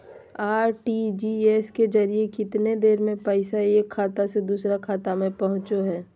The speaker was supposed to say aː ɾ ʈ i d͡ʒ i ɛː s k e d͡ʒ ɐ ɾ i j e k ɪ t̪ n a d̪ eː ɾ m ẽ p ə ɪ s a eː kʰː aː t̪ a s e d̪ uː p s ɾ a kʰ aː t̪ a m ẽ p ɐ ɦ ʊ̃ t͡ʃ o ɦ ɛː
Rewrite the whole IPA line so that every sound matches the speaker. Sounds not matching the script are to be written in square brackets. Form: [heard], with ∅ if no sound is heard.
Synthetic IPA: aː ɾ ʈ i d͡ʒ i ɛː s k e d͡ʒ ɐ ɾ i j e k ɪ t̪ n [e] d̪ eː ɾ m ẽ p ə ɪ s a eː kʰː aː t̪ a s e d̪ uː [∅] s ɾ a kʰ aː t̪ a m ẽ p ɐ ɦ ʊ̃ t͡ʃ o ɦ ɛː